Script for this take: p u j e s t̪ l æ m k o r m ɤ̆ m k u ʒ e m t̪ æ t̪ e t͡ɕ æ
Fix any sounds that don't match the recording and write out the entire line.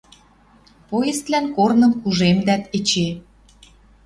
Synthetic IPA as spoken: p o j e s t̪ l æ n k o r n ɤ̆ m k u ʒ e m d̪ æ t̪ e t͡ɕ e